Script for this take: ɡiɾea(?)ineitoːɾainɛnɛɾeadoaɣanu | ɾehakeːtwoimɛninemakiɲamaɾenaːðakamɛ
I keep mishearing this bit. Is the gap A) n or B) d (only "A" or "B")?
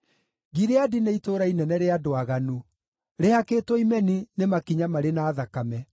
B